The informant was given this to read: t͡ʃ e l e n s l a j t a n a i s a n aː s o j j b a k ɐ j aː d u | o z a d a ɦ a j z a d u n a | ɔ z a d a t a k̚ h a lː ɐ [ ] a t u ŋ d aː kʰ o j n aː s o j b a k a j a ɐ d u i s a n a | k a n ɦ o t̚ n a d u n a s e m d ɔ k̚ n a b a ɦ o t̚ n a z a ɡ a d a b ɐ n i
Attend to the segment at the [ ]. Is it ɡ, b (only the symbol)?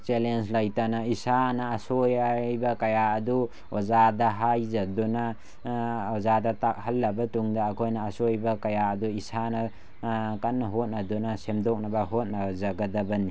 b